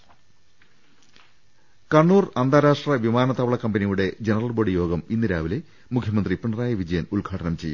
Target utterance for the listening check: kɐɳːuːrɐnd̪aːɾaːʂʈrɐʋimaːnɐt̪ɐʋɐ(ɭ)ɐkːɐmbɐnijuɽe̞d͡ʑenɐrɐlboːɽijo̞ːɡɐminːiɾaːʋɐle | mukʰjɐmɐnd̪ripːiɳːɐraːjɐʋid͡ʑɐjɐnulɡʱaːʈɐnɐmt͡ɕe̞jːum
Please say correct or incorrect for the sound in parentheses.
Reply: correct